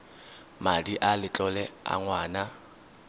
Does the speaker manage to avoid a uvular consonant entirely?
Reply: yes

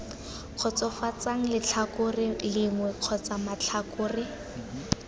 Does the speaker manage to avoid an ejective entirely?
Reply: yes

